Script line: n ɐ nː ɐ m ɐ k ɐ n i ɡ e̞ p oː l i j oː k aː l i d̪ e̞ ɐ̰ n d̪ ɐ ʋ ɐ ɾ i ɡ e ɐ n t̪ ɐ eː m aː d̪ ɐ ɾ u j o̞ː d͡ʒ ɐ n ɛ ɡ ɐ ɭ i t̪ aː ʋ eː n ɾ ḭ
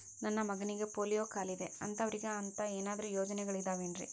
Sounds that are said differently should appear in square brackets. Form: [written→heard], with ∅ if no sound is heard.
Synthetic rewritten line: n ɐ nː ɐ m ɐ [k→ɡ] ɐ n i ɡ e̞ p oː l i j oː k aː l i d̪ e̞ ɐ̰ n [d̪→t̪] ɐ ʋ ɐ ɾ i ɡ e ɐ n t̪ ɐ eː [m→n] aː d̪ ɐ ɾ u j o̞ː d͡ʒ ɐ n ɛ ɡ ɐ ɭ i [t̪→d̪] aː ʋ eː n ɾ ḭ

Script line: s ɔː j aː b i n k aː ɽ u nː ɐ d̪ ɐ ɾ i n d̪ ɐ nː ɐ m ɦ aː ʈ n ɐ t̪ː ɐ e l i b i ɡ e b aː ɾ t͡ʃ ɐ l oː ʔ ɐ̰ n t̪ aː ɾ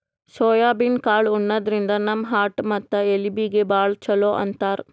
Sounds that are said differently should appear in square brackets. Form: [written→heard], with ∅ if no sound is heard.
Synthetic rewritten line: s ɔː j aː b i n k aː [ɽ→ɭ] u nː ɐ d̪ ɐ ɾ i n d̪ ɐ [nː→n] ɐ m ɦ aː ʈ [n→m] ɐ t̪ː ɐ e l i b i ɡ e b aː [ɾ→ɭ] t͡ʃ ɐ l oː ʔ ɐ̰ n t̪ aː ɾ

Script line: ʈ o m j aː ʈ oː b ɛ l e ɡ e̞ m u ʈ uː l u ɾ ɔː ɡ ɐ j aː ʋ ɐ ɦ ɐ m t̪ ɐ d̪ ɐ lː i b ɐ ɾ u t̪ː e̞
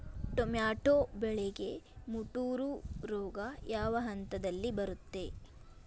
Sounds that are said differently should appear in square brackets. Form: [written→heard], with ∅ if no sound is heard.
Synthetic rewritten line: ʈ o m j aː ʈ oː b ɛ [l→ɭ] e ɡ e̞ m u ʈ uː [l→ɾ] u ɾ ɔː ɡ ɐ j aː ʋ ɐ ɦ ɐ [m→n] t̪ ɐ d̪ ɐ lː i b ɐ ɾ u t̪ː e̞

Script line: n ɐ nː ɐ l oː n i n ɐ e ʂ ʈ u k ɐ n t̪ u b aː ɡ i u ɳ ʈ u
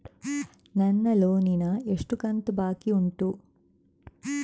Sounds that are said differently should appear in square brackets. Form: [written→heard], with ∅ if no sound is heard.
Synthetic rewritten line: n ɐ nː ɐ l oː n i n ɐ e ʂ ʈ u k ɐ n t̪ u b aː [ɡ→k] i u ɳ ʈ u

